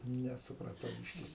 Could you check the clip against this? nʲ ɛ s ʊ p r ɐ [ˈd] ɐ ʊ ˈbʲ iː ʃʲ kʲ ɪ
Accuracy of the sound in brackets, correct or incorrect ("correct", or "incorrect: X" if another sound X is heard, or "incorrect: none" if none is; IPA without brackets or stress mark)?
incorrect: t